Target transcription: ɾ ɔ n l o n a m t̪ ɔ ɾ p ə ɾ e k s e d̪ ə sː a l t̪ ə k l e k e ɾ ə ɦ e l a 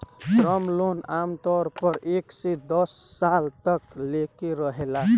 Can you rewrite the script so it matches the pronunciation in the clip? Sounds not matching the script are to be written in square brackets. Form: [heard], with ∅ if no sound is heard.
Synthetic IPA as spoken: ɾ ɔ [m] l o n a m t̪ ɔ ɾ p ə ɾ e k s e d̪ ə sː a l t̪ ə k l e k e ɾ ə ɦ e l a